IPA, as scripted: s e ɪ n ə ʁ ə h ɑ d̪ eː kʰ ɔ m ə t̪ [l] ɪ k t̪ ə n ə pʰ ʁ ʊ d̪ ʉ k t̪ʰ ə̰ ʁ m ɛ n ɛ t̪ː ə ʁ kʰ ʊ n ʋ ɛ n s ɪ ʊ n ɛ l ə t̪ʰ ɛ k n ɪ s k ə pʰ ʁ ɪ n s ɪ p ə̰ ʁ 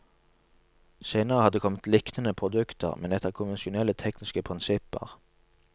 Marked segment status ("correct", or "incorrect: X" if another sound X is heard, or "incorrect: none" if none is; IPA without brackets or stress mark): correct